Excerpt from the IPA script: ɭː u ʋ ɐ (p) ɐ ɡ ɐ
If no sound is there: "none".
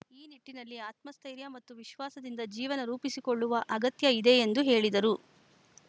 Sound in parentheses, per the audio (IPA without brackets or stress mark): ʔ